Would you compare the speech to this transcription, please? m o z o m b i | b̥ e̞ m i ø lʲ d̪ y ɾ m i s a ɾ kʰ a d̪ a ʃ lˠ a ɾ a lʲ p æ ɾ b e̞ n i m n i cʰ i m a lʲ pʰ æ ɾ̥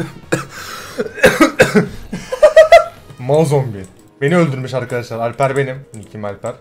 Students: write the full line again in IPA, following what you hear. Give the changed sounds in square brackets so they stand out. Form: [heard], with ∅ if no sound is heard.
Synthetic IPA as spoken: m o z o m b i | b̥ e̞ [n] i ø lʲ d̪ y ɾ m i [ʃ] a ɾ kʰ a d̪ a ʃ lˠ a ɾ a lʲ p æ ɾ b e̞ n i m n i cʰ i m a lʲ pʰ æ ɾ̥